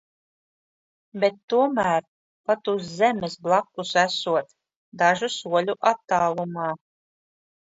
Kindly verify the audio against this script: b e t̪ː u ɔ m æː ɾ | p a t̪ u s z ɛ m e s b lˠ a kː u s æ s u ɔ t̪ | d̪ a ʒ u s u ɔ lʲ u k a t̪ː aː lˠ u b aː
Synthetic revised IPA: b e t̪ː u ɔ m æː ɾ | p a t̪ u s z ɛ m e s b lˠ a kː u s æ s u ɔ t̪ | d̪ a ʒ u s u ɔ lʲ u ʔ a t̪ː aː lˠ u m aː